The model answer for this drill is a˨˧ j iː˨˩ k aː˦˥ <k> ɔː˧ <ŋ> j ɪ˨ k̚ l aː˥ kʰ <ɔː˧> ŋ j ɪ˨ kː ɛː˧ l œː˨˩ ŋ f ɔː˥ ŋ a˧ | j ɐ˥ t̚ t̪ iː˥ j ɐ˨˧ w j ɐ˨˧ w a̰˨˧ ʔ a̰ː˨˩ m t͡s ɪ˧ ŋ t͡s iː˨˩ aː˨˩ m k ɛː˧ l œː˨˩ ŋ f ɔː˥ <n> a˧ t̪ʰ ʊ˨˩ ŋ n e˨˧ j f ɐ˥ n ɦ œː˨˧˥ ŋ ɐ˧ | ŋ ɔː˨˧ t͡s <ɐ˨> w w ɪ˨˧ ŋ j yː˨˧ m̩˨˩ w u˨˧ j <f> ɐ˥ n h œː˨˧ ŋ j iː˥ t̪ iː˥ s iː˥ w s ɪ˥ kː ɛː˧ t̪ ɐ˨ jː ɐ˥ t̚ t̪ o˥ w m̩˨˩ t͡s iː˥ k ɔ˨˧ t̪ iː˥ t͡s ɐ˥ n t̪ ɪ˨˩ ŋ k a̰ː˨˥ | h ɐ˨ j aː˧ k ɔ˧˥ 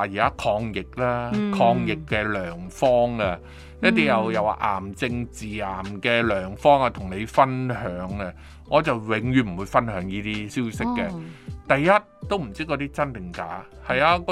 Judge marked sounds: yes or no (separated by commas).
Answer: no, yes, yes, no, yes, yes